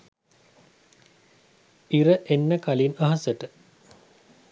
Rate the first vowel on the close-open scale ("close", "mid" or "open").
close